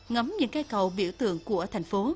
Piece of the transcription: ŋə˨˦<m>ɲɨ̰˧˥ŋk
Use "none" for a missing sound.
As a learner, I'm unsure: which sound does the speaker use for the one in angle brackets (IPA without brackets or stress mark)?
m